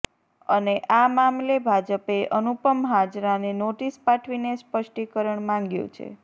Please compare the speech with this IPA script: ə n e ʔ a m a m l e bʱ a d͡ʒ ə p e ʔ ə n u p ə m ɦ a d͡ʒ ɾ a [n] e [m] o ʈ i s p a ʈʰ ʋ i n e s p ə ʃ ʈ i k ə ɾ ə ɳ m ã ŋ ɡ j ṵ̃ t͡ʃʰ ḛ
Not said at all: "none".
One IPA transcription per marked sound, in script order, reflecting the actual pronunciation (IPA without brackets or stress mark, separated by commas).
n, n